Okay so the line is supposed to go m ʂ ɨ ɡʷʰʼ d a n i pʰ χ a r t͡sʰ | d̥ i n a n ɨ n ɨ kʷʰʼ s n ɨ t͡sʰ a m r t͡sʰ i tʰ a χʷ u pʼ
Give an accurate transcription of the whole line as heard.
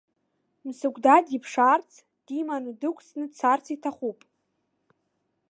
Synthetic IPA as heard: m s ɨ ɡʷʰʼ d a d i pʰ ʂ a r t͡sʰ | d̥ i m a n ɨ d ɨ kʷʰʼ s n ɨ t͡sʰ a r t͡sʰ i tʰ a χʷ u pʼ